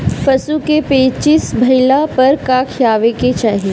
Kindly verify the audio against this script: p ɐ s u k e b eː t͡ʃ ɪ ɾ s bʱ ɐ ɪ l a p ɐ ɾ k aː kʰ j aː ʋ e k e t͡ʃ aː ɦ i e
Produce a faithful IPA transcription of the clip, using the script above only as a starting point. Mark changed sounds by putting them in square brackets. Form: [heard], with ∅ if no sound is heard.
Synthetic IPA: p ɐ s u k e [p] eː t͡ʃ ɪ [∅] s bʱ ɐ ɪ l a p ɐ ɾ k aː kʰ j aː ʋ e k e t͡ʃ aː ɦ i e